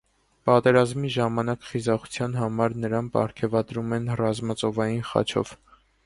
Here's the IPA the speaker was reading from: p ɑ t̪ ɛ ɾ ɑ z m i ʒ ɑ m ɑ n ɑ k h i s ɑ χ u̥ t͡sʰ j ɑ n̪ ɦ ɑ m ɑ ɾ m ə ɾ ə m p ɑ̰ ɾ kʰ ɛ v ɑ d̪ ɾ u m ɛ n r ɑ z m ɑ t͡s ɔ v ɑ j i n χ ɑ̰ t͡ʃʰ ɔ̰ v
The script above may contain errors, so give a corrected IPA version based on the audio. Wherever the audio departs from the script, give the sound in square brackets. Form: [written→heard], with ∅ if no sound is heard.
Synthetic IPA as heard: p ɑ t̪ ɛ ɾ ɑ z m i ʒ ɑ m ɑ n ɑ k [h→χ] i [s→z] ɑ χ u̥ t͡sʰ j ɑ n̪ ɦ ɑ m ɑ ɾ [m→n] ə ɾ [ə→ɑ] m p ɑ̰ ɾ kʰ ɛ v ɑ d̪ ɾ u m ɛ n r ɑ z m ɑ t͡s ɔ v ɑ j i n χ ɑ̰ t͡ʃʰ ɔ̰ v